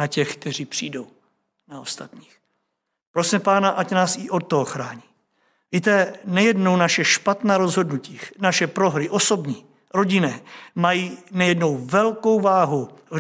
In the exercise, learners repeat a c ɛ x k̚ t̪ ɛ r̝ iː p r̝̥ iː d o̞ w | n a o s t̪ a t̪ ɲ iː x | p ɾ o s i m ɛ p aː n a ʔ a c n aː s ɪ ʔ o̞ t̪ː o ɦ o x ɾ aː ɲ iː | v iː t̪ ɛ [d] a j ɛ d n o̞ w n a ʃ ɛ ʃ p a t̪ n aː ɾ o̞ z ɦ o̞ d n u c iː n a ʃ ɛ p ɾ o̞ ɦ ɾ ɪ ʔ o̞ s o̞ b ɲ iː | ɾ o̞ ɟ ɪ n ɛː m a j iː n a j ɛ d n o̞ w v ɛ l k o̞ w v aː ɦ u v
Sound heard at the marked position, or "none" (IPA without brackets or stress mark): n